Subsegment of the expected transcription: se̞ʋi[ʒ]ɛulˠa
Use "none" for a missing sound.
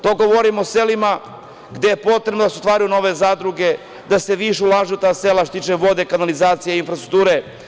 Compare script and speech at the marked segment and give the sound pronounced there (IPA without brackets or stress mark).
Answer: ʃ